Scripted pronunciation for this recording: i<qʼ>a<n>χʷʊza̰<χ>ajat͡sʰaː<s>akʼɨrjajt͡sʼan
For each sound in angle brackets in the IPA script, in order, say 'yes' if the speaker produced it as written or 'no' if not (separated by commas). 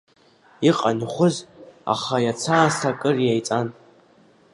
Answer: yes, yes, yes, yes